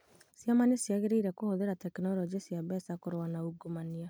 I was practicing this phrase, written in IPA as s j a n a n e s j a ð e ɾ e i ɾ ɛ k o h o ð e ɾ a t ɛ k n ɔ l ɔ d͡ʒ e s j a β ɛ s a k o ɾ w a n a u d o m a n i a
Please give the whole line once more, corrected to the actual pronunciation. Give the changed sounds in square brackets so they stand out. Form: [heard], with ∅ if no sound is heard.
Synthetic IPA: s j a [m] a n e s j a [ɣ] e ɾ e i ɾ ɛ k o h o ð e ɾ a t ɛ k n ɔ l ɔ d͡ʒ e s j a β ɛ s a k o ɾ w a n a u [ɡ] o m a n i a

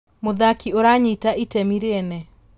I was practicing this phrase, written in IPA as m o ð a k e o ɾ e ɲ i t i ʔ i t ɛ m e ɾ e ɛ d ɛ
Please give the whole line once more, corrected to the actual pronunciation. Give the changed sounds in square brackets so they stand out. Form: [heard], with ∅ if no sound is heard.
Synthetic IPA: m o ð a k [i] o ɾ [a] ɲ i t [a] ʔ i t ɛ m [i] ɾ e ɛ [n] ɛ

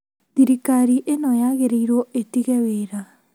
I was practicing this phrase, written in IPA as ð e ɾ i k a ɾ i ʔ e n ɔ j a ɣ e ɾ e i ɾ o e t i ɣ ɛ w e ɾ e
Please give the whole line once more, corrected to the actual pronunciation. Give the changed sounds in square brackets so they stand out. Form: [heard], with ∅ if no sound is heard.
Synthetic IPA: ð [i] ɾ i k a ɾ i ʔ e n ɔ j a ɣ e ɾ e i ɾ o e t i ɣ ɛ w e ɾ [a]

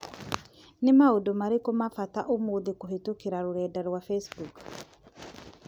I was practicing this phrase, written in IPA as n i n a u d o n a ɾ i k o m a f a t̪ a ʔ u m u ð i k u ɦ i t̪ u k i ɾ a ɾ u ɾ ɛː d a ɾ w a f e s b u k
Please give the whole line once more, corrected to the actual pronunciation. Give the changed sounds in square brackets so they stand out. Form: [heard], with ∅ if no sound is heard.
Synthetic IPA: n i [m] a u d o [m] a ɾ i k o m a f a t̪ a ʔ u m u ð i k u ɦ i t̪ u k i ɾ a ɾ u ɾ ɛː d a ɾ w a f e s b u k

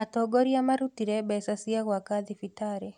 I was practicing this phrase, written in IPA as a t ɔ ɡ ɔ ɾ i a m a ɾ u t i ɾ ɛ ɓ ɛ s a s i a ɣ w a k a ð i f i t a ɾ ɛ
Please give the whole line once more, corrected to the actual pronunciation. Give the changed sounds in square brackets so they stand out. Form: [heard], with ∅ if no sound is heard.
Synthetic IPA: a t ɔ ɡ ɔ ɾ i a m a ɾ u t i ɾ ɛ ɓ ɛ s a s i a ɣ w a k a ð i f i t a ɾ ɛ

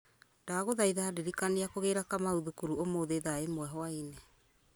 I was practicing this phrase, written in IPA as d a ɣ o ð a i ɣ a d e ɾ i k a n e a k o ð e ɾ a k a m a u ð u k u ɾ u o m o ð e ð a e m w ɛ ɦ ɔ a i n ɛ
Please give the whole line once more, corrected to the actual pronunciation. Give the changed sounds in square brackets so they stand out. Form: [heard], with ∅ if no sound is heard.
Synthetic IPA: d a ɣ o ð a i [ð] a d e ɾ i k a n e a k o [ɣ] e ɾ a k a m a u ð u k u ɾ u o m o ð e ð a e m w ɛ ɦ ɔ a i n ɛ

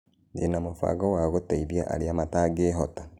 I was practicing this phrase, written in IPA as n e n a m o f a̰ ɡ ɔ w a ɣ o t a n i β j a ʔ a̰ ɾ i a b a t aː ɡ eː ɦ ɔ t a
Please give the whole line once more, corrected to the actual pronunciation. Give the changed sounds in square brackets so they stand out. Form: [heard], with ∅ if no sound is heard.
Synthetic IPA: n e n a m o f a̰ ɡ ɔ w a ɣ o t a [∅] i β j a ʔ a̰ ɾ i a [m] a t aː ɡ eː ɦ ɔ t a

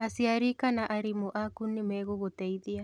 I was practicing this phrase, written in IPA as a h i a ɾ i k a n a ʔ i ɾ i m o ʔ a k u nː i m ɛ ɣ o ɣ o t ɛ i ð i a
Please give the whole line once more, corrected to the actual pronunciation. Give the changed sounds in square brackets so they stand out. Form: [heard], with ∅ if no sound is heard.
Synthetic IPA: a [s] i a ɾ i k a n a ʔ [a] ɾ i m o ʔ a k u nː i m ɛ ɣ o ɣ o t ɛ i ð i a

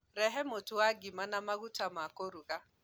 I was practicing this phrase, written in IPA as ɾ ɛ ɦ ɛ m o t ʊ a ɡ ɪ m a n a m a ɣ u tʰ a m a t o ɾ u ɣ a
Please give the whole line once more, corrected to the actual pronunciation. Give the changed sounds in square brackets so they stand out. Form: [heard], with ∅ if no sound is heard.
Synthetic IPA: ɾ ɛ ɦ ɛ m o t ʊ a ɡ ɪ m a n a m a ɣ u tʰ a m a [k] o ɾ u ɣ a

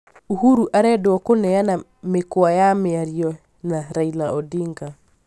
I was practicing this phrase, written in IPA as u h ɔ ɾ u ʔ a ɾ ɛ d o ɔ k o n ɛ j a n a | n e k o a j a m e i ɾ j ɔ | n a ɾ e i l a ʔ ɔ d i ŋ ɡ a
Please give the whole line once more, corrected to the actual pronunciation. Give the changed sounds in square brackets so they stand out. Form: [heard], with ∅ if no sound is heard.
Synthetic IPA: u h [u] ɾ u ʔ a ɾ ɛ d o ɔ k o n ɛ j a n a | [m] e k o a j a m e [a] ɾ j ɔ | n a ɾ [a] i l a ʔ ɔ d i ŋ ɡ a

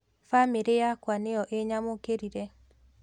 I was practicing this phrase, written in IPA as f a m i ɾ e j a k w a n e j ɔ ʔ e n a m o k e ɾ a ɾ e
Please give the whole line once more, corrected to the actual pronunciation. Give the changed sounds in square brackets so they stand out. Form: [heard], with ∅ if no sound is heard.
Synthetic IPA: f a m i ɾ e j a k w a n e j ɔ ʔ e [ɲ] a m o k e ɾ [i] ɾ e

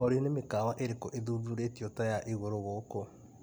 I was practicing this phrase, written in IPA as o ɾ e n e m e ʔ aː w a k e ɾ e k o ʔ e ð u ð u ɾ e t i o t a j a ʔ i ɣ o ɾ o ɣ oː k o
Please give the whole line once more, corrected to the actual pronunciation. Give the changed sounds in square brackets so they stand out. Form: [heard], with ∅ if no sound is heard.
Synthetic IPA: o ɾ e n e m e [k] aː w a [ʔ] e ɾ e k o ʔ e ð u ð u ɾ e t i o t a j a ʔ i ɣ o ɾ o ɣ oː k o

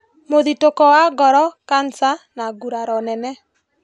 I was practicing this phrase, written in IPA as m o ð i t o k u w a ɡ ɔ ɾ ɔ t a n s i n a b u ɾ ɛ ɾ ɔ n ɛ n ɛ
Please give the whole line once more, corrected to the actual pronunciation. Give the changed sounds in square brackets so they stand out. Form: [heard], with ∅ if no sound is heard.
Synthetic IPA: m o ð i t o k [ɔ] w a ɡ ɔ ɾ ɔ [k] a n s [a] n a [ɡ] u ɾ [a] ɾ ɔ n ɛ n ɛ

